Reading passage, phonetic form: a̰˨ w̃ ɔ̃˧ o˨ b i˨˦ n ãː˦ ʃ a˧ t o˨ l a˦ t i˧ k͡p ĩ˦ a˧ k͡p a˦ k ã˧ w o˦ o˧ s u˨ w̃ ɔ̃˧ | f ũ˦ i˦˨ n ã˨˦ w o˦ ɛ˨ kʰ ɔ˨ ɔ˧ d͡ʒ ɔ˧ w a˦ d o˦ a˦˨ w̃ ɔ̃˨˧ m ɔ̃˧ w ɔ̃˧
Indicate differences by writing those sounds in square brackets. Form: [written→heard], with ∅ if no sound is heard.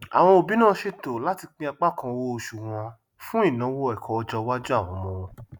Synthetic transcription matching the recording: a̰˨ w̃ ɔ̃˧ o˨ b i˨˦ n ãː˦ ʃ [a˧→e˧] t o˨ l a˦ t i˧ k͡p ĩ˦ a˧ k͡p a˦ k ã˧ w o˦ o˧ [s→ʃ] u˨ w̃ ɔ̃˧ | f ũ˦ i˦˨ n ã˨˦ w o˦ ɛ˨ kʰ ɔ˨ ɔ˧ d͡ʒ ɔ˧ w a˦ [d→d͡ʒ] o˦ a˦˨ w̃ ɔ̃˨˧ m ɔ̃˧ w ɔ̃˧

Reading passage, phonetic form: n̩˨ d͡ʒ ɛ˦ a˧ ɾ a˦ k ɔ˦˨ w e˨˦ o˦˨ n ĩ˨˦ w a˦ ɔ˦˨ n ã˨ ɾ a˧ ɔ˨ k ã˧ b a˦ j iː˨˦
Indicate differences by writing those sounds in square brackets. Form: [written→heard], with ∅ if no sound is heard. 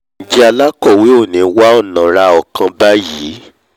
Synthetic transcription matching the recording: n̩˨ d͡ʒ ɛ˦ a˧ [ɾ→l] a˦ k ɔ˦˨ w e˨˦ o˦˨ n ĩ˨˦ w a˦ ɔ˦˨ n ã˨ ɾ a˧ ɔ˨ k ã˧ b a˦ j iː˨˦

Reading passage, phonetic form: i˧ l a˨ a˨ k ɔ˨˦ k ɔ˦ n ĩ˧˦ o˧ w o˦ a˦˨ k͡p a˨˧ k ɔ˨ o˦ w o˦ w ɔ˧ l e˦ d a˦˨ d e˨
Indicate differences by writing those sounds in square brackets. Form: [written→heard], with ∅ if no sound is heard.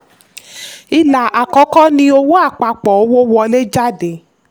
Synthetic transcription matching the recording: i˧ l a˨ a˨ k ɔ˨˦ k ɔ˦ n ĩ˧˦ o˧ w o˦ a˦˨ k͡p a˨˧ [k→k͡p] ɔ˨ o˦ w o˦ w ɔ˧ l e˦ [d→d͡ʒ] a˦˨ d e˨

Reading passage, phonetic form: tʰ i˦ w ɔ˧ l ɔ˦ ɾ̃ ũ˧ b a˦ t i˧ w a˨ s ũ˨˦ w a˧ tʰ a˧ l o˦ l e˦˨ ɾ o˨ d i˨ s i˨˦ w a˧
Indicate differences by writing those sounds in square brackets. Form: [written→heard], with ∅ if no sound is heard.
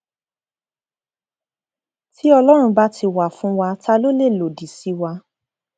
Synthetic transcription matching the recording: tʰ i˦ [w→∅] ɔ˧ l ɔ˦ ɾ̃ ũ˧ b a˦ t i˧ w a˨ [s→f] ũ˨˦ w a˧ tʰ a˧ l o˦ l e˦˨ [ɾ→l] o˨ d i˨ s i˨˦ w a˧

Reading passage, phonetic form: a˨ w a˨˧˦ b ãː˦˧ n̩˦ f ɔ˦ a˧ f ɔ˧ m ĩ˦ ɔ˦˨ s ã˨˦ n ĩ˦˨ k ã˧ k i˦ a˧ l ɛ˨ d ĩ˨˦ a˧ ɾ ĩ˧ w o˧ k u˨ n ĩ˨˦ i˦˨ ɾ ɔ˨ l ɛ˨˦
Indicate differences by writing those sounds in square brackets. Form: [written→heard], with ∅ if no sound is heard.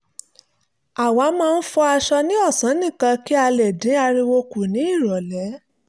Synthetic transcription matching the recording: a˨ w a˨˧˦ [b→m] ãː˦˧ n̩˦ f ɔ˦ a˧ [f→ʃ] ɔ˧ [m→n] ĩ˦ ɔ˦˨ s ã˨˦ n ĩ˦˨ k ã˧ k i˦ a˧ l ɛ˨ d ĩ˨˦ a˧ ɾ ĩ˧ w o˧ k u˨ n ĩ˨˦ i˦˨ ɾ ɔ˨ l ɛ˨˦

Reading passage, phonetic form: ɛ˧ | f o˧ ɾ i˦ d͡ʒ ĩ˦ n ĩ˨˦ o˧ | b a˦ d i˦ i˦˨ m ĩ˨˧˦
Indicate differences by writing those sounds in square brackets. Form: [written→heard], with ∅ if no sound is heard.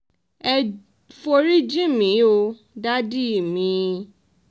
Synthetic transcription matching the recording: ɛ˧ | f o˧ ɾ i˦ d͡ʒ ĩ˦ [n→m] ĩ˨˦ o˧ | [b→d] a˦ d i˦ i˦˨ m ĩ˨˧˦

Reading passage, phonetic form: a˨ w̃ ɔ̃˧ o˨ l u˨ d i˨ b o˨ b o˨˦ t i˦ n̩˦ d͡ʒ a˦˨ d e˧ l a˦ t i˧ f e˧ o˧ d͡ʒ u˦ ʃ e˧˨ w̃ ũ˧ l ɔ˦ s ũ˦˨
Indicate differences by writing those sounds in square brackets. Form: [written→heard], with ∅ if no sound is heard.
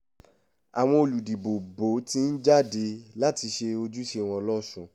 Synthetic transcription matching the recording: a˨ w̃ ɔ̃˧ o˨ l u˨ d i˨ b o˨ b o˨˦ t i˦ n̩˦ d͡ʒ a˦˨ d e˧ l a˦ t i˧ [f→ʃ] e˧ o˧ d͡ʒ u˦ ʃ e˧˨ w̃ [ũ˧→ɔ̃˧] l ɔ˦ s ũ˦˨

